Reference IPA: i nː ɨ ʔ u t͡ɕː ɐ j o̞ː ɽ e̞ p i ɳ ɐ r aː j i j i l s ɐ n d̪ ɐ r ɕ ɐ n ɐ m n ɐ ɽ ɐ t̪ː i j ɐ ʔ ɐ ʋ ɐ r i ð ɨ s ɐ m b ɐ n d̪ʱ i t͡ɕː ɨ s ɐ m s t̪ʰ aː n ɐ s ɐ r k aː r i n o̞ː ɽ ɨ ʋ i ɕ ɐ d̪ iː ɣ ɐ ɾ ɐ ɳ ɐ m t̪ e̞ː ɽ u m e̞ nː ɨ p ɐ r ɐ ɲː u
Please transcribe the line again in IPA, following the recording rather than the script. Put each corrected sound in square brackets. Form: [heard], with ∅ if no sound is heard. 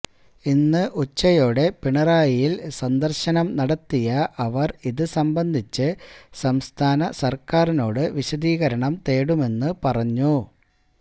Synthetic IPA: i nː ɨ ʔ u t͡ɕː ɐ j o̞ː ɽ e̞ p i ɳ ɐ r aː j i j i l s ɐ n d̪ ɐ r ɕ ɐ n ɐ m n ɐ ɽ ɐ t̪ː i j ɐ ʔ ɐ ʋ ɐ r i ð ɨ s ɐ m b ɐ n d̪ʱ i t͡ɕː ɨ s ɐ m s t̪ʰ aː n ɐ s ɐ r k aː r i n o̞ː ɽ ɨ ʋ i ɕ ɐ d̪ iː ɣ ɐ ɾ ɐ ɳ ɐ m t̪ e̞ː ɽ u m e̞ nː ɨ p ɐ r ɐ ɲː u